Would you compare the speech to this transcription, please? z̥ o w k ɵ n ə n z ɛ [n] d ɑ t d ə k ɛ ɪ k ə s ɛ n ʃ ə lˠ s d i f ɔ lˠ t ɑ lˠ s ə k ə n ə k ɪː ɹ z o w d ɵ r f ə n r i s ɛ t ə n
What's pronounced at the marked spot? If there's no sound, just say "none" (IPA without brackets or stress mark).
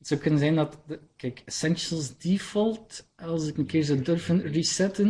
n